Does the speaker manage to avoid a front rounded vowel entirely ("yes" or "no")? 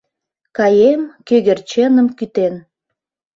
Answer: no